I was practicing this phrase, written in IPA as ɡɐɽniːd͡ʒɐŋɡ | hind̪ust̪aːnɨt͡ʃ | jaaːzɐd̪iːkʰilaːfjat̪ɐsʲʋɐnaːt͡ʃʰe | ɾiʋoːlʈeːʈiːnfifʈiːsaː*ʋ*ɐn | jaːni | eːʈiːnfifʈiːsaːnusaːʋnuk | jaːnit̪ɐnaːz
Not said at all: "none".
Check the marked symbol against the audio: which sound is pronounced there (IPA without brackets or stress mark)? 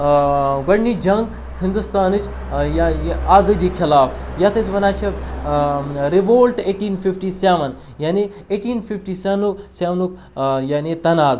ʋ